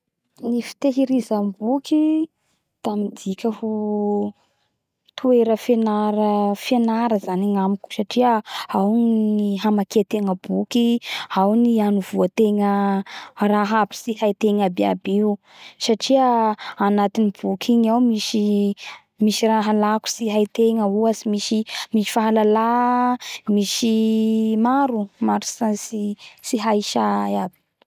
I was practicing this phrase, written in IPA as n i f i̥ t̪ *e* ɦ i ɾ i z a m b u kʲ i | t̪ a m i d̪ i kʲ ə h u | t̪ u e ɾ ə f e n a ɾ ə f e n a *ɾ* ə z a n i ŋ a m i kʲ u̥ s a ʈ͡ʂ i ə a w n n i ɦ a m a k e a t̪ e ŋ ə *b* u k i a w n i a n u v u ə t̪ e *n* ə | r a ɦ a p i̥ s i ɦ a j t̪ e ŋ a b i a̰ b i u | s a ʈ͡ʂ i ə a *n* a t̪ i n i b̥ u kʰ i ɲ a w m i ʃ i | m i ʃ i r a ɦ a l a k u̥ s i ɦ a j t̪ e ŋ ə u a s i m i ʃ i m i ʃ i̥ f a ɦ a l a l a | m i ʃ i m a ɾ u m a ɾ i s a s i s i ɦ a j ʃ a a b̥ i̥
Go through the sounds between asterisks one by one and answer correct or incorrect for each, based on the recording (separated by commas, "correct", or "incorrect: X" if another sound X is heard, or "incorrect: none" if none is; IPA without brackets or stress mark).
correct, correct, correct, incorrect: ŋ, correct